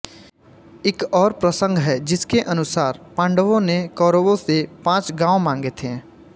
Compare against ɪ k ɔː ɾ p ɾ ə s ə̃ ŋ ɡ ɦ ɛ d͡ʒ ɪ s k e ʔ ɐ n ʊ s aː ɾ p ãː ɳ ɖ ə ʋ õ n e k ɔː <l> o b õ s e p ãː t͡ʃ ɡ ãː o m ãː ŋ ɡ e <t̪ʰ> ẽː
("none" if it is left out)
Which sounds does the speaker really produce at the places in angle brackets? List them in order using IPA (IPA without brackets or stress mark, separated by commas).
ɾ, t̪ʰ